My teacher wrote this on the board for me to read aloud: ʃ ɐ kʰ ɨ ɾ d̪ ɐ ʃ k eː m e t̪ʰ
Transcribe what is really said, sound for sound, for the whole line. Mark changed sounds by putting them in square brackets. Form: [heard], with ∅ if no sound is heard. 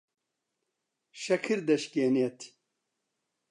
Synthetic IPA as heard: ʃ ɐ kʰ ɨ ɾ d̪ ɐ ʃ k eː [n] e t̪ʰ

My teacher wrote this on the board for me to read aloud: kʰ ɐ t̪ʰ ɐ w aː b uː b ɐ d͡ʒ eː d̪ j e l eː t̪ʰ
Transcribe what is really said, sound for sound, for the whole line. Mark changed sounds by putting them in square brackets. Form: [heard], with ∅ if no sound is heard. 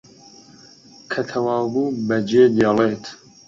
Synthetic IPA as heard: kʰ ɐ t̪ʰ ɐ w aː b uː b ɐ d͡ʒ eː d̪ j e l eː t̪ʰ

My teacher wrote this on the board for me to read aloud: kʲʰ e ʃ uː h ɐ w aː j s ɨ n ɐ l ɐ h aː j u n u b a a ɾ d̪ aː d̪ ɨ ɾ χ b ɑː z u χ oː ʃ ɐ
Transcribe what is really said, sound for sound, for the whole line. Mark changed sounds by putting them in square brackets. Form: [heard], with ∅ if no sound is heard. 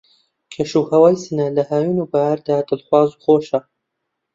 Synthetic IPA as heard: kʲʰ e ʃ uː h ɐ w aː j s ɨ n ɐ l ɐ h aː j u n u b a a ɾ d̪ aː d̪ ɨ [l] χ [w] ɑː z u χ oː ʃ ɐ

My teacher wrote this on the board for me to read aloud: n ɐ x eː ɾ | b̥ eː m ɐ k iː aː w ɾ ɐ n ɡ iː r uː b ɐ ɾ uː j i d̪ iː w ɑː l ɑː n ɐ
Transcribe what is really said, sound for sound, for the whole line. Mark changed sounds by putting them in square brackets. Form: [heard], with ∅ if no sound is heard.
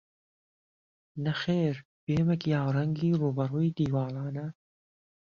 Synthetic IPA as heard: n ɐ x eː ɾ | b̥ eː m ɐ k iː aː w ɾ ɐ [ŋ] ɡ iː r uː b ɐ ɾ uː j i d̪ iː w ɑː l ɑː n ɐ

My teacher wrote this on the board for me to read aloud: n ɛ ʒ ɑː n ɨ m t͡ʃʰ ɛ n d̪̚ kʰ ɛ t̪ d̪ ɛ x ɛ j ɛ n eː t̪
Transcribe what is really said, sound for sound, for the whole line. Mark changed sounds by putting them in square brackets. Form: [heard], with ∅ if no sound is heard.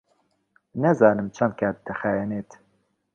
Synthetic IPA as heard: n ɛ [z] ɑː n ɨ m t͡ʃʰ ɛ n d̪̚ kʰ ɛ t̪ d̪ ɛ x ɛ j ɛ n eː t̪

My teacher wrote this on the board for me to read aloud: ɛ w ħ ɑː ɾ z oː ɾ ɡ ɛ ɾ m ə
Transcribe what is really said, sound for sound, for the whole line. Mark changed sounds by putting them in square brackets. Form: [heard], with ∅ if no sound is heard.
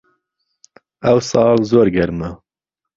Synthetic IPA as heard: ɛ w [s] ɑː [l] z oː ɾ ɡ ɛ ɾ m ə

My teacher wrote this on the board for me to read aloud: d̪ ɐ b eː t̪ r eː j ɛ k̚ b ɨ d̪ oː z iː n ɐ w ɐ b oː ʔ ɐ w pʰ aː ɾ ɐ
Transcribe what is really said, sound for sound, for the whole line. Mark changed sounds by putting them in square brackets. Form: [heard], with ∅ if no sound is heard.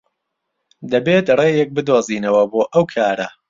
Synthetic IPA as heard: d̪ ɐ b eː t̪ r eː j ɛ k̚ b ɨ d̪ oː z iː n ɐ w ɐ b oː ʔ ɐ w [kʰ] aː ɾ ɐ

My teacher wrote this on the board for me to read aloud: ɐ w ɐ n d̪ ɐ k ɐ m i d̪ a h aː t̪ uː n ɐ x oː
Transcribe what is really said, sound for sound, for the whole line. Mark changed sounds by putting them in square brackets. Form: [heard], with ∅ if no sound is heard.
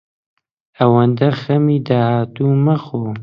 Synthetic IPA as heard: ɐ w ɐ n d̪ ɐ [x] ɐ m i d̪ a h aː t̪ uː [m] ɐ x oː

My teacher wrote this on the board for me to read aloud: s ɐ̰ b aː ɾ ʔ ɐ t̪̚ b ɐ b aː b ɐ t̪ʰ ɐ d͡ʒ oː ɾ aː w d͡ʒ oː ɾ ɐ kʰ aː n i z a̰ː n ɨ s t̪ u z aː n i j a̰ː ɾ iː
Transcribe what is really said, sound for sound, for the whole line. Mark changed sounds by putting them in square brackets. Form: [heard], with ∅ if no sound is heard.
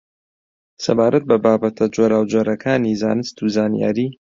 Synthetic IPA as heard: s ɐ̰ b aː ɾ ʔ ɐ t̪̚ b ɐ b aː b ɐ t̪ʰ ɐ d͡ʒ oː ɾ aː w d͡ʒ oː ɾ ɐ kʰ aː n i z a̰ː n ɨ s t̪ u z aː n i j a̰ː ɾ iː

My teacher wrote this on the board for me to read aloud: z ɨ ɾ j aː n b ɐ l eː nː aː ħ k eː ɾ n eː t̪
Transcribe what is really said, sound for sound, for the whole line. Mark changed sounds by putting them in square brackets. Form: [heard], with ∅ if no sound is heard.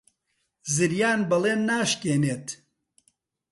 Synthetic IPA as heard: z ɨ ɾ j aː n b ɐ l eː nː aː [ʃ] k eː [∅] n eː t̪

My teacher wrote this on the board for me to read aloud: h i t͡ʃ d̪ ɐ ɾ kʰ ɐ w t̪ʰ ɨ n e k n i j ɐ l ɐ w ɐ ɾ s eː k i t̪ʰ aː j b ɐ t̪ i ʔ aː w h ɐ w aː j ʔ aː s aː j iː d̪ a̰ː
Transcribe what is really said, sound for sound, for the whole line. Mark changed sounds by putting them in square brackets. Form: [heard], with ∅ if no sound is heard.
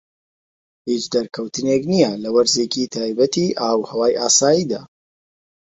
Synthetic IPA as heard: h i t͡ʃ d̪ ɐ ɾ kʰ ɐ w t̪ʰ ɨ n e k n i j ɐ l ɐ w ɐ ɾ [z] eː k i t̪ʰ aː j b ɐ t̪ i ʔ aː w h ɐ w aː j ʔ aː s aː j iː d̪ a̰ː

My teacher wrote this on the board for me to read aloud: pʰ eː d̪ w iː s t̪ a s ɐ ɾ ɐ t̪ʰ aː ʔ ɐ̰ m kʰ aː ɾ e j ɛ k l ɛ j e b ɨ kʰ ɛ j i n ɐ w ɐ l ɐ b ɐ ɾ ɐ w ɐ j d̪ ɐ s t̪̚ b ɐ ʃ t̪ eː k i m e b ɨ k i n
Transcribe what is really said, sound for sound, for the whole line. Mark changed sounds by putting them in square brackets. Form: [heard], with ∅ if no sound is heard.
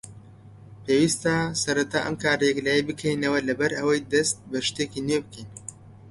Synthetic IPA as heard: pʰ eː [∅] w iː s t̪ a s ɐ ɾ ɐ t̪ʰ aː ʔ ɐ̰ m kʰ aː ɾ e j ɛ k l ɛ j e b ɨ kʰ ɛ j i n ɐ w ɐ l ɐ b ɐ ɾ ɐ w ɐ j d̪ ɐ s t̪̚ b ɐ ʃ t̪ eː k i [n] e b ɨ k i n

